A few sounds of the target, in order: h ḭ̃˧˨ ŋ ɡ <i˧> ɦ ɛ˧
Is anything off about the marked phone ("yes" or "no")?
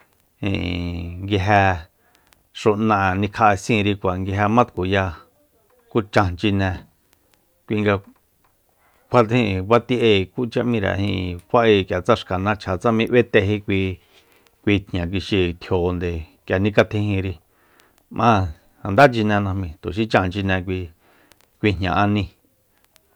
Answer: no